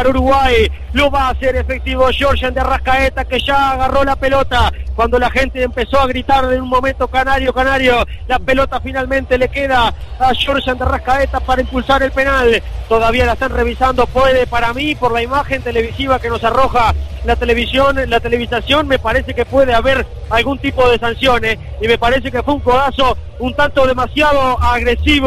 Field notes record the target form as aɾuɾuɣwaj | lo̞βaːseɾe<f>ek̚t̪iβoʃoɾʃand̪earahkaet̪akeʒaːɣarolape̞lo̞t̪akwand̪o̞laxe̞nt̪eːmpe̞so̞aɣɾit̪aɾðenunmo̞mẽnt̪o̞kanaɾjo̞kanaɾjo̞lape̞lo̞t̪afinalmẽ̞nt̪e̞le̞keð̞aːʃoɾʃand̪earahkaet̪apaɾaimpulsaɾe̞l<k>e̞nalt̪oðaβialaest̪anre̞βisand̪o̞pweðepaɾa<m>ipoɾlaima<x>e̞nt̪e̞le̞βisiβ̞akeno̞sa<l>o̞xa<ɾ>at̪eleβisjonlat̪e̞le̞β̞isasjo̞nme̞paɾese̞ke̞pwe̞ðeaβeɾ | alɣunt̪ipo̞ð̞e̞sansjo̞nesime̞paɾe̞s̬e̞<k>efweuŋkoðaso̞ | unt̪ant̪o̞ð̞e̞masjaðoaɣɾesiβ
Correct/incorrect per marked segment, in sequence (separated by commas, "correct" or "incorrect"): correct, incorrect, correct, correct, incorrect, incorrect, correct